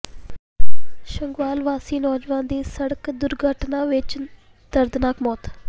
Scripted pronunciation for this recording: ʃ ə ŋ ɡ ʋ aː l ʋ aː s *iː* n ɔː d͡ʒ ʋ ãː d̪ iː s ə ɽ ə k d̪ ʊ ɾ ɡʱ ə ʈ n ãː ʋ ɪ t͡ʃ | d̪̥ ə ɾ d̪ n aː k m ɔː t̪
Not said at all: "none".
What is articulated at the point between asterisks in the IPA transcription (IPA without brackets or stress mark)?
iː